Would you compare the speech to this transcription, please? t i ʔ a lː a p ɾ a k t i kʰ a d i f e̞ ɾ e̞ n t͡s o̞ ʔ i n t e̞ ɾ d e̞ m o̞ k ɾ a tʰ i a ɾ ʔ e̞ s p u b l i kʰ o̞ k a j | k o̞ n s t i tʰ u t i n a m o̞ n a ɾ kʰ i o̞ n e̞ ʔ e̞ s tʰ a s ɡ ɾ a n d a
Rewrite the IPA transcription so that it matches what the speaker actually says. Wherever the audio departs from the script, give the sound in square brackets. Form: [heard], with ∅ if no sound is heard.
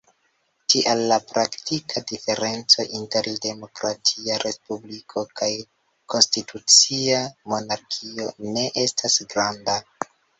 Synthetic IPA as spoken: t i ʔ a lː a p ɾ a k t i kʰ a d i f e̞ ɾ e̞ n t͡s o̞ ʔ i n t e̞ ɾ d e̞ m o̞ k ɾ a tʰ i a ɾ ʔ e̞ s p u b l i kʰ o̞ k a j | k o̞ n s t i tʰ u [t͡s] i [∅] a m o̞ n a ɾ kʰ i o̞ n e̞ ʔ e̞ s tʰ a s ɡ ɾ a n d a